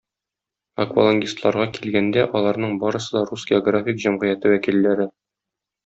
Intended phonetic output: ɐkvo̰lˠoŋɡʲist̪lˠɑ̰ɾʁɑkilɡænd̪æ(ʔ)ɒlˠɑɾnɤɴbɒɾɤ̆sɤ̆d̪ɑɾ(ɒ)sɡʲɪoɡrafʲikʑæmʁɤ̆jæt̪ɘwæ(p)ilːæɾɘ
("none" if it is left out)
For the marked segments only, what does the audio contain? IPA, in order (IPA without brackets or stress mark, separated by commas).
ʔ, u, k